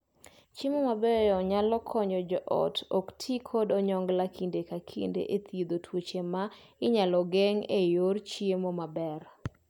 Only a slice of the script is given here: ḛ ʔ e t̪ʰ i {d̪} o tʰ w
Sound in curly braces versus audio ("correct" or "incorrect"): correct